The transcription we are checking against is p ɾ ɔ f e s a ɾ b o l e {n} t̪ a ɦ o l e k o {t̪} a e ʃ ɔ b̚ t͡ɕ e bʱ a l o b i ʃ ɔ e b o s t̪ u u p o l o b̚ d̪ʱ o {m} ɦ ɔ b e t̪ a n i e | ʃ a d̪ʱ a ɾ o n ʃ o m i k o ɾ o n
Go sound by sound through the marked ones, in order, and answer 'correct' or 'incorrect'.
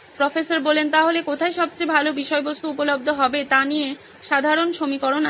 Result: correct, incorrect, incorrect

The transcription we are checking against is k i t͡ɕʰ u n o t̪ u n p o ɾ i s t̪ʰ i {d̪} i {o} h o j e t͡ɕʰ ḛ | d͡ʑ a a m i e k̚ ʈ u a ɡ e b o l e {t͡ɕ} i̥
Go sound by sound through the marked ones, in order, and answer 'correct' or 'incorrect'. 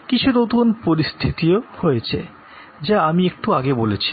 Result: incorrect, correct, incorrect

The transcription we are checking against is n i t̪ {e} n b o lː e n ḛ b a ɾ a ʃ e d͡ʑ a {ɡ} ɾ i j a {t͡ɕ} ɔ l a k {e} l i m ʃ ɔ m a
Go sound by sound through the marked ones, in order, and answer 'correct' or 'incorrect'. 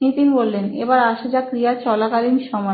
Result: incorrect, incorrect, correct, incorrect

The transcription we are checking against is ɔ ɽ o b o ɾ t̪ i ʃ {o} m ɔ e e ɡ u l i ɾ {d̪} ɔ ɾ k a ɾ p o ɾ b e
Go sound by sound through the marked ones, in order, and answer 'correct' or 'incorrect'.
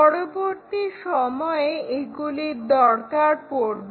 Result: incorrect, correct

